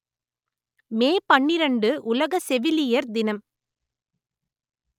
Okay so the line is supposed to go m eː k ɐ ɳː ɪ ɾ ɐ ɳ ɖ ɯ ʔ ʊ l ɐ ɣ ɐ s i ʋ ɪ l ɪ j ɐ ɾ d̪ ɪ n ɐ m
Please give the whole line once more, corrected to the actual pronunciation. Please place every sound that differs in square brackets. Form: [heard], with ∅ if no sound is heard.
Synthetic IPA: m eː [p] ɐ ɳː ɪ ɾ ɐ ɳ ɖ ɯ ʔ ʊ l ɐ ɣ ɐ s [ɛ] ʋ ɪ l ɪ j ɐ ɾ d̪ ɪ n ɐ m